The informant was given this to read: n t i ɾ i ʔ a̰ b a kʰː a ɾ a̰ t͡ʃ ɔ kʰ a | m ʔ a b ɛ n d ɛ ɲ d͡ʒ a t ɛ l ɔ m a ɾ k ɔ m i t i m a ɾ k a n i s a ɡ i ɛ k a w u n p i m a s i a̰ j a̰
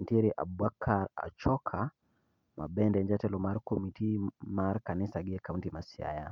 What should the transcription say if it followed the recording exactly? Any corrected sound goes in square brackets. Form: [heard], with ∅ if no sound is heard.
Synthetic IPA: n t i ɾ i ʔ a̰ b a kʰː a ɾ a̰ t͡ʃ ɔ kʰ a | m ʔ a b ɛ n d ɛ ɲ d͡ʒ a t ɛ l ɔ m a ɾ k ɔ m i t i m a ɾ k a n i s a ɡ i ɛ k a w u n [t] i m a s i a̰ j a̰